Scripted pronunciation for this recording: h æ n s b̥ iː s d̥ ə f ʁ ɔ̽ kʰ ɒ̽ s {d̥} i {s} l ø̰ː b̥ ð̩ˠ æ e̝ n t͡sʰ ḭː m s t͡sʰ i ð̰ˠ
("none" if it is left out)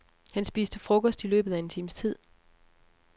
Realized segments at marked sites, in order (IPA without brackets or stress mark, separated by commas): d̥, none